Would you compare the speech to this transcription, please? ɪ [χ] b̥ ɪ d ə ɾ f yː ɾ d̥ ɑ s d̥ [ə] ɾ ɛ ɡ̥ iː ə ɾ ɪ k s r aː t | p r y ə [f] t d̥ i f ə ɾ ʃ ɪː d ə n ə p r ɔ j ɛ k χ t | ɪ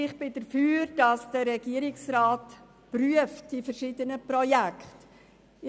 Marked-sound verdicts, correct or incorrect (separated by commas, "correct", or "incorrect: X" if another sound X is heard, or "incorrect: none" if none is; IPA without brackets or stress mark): correct, correct, correct